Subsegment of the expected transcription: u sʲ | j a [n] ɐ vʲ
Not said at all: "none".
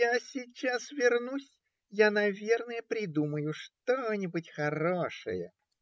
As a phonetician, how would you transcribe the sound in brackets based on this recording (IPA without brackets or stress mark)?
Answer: n